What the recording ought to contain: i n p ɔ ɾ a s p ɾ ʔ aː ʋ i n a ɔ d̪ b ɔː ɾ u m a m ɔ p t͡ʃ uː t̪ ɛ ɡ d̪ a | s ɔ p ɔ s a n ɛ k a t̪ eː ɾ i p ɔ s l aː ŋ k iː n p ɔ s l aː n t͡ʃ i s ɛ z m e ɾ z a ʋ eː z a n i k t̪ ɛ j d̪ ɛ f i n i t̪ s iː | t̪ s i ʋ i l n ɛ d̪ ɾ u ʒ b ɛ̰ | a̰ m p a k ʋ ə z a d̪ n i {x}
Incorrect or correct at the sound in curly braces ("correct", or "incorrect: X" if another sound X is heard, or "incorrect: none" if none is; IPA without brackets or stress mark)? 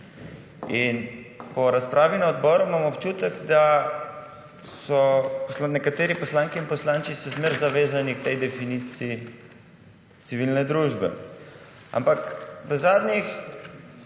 correct